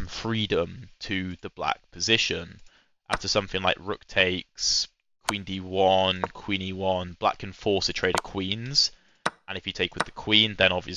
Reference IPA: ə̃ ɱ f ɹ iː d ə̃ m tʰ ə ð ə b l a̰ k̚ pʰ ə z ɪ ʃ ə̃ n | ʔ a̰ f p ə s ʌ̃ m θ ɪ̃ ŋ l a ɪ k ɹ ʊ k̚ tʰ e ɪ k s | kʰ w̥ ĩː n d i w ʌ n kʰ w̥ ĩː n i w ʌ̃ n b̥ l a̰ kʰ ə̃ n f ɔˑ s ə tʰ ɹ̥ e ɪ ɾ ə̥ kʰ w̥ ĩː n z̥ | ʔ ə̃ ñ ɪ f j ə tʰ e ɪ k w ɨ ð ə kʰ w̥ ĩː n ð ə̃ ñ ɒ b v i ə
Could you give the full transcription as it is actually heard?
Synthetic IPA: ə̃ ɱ f ɹ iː d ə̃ m tʰ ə ð ə b l a̰ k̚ pʰ ə z ɪ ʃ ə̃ n | ʔ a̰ f t ə s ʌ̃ m θ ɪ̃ ŋ l a ɪ k ɹ ʊ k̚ tʰ e ɪ k s | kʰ w̥ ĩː n d i w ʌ n kʰ w̥ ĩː n i w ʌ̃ n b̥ l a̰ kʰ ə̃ n f ɔˑ s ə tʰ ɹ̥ e ɪ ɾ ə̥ kʰ w̥ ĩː n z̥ | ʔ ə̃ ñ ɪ f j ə tʰ e ɪ k w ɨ ð ə kʰ w̥ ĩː n ð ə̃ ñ ɒ b v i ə

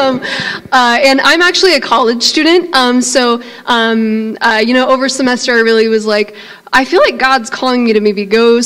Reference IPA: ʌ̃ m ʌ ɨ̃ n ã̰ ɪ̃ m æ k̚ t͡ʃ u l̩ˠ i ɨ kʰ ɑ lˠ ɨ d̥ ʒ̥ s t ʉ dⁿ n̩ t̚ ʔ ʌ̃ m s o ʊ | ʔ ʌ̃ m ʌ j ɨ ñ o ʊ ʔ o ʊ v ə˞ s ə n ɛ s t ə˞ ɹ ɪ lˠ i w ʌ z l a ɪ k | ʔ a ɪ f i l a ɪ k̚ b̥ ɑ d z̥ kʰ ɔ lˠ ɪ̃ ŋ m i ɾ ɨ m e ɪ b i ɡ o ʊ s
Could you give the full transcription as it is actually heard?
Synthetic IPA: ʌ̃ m ʌ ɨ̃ n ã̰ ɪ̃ m æ k̚ t͡ʃ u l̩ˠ i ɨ kʰ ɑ lˠ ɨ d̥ ʒ̥ s t ʉ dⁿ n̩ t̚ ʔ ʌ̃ m s o ʊ | ʔ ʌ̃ m ʌ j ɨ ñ o ʊ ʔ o ʊ v ə˞ s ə m ɛ s t ə˞ ɹ ɪ lˠ i w ʌ z l a ɪ k | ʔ a ɪ f i l a ɪ k̚ ɡ̥ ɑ d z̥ kʰ ɔ lˠ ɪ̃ ŋ m i ɾ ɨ m e ɪ b i ɡ o ʊ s

